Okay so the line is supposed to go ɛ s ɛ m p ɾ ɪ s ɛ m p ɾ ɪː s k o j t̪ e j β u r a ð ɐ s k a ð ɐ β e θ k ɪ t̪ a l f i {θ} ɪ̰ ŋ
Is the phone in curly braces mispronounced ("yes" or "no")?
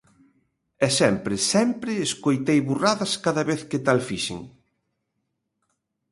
yes